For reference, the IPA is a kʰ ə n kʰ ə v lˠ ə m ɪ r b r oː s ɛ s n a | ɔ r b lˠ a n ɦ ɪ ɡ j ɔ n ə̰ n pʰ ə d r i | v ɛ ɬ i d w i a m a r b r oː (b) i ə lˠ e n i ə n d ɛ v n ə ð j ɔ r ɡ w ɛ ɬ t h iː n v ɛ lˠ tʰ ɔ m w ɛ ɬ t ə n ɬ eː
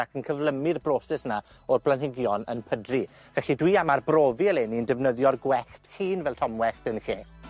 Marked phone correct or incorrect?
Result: incorrect